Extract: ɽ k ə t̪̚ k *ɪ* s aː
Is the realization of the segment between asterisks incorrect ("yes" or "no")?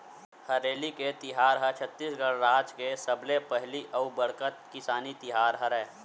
no